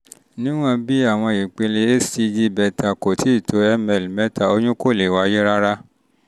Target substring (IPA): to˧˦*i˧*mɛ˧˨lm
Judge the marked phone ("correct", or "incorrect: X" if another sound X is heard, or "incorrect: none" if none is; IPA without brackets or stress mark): incorrect: ɛ˧